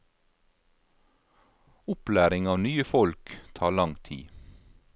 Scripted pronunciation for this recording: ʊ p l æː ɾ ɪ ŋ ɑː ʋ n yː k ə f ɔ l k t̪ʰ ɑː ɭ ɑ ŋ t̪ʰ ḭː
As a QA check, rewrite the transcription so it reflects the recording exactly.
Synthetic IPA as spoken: ʊ p l æː ɾ ɪ ŋ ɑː ʋ n yː ə f ɔ l k t̪ʰ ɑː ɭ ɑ ŋ t̪ʰ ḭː